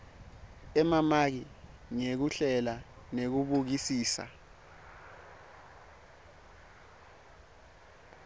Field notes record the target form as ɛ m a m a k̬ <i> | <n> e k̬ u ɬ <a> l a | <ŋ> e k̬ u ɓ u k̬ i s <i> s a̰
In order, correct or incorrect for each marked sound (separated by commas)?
correct, incorrect, incorrect, incorrect, incorrect